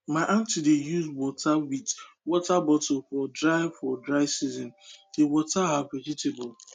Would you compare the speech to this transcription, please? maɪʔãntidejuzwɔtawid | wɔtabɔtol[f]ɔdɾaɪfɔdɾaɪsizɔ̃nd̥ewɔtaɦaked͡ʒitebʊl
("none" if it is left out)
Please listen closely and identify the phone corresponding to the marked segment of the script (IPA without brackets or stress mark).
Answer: f